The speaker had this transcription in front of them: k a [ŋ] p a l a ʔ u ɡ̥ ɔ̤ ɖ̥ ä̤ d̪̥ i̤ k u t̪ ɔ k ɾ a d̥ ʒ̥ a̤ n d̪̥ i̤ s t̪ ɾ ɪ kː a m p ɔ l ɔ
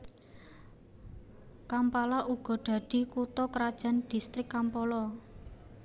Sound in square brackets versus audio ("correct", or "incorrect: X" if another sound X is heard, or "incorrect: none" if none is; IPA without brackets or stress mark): incorrect: m